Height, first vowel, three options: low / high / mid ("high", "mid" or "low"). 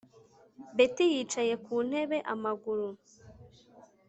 mid